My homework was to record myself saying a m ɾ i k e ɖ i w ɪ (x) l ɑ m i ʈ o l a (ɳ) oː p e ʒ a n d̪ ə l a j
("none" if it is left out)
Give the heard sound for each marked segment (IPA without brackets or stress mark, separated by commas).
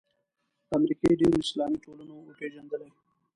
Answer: s, n